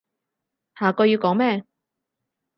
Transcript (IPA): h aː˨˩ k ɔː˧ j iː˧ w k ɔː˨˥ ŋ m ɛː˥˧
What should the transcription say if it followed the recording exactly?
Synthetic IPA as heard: h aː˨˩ k ɔː˧ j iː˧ w k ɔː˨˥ ŋ m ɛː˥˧